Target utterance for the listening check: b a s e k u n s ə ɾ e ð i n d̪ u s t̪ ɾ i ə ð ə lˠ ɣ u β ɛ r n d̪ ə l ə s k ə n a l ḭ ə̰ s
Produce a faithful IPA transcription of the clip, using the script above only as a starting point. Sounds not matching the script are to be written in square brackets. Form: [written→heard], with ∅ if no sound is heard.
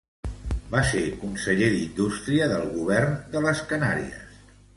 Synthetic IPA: b a s e k u n s ə [ɾ→ʎ] e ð i n d̪ u s t̪ ɾ i ə ð ə lˠ ɣ u β ɛ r n d̪ ə l ə s k ə n a [l→ɾ] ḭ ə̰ s